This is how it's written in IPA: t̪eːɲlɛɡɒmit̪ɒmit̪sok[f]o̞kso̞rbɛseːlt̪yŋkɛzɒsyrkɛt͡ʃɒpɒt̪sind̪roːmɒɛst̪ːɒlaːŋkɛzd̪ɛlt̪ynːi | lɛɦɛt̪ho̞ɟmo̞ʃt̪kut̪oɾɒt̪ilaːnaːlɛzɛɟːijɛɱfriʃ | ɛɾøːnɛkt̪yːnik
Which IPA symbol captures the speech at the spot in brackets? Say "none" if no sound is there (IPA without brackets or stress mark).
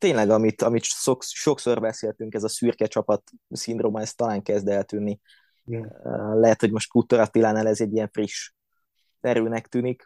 ʃ